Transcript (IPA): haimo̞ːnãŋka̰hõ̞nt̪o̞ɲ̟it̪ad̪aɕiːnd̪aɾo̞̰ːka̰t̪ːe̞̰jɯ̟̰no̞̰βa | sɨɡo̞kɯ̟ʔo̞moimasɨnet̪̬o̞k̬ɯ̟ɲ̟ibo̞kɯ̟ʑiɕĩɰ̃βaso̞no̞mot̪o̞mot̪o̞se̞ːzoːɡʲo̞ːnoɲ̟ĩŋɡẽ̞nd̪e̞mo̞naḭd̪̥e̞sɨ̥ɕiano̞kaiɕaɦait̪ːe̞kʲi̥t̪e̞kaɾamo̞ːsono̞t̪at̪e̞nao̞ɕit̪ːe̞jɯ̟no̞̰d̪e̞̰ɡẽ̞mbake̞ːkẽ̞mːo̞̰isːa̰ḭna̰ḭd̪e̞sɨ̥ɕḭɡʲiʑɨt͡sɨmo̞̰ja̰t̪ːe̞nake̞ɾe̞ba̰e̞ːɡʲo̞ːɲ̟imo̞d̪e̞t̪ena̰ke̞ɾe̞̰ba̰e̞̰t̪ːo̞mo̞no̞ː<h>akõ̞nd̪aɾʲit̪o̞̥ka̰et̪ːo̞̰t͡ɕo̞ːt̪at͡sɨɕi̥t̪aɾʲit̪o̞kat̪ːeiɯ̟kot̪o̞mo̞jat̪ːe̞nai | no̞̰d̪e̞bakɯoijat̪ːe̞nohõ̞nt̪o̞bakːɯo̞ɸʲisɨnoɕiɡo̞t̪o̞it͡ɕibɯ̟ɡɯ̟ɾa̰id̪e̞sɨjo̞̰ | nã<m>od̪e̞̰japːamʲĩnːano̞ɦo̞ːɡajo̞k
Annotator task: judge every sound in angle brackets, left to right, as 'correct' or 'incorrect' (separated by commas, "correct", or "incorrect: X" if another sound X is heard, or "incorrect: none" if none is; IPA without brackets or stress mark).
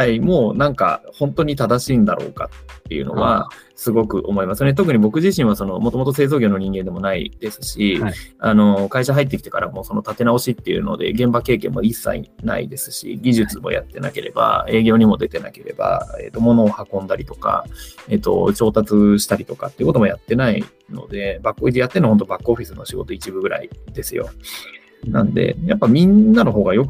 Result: correct, incorrect: n